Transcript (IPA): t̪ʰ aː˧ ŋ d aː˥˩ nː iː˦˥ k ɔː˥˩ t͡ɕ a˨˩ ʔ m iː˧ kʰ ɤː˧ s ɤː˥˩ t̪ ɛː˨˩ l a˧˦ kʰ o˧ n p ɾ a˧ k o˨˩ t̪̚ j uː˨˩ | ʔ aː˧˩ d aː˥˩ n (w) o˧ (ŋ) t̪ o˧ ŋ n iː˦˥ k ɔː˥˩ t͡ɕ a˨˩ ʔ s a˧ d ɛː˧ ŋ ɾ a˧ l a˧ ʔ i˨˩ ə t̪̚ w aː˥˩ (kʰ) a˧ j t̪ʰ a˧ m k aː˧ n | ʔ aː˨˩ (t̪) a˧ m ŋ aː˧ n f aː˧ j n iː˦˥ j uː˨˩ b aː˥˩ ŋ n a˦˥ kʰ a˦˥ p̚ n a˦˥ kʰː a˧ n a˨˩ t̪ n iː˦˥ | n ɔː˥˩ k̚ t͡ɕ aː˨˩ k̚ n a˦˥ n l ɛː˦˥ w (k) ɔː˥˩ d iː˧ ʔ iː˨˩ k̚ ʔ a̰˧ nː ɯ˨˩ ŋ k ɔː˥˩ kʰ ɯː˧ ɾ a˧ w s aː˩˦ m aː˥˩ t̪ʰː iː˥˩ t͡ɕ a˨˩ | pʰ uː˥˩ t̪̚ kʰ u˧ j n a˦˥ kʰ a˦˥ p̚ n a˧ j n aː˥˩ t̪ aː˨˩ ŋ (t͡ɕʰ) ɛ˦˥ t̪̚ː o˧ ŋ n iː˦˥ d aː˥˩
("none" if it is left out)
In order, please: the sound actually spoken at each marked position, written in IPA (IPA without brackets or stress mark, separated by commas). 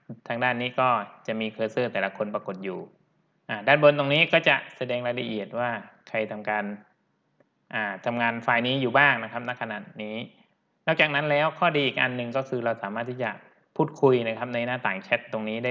b, n, kʰ, t̪ʰ, kʰ, t͡ɕʰ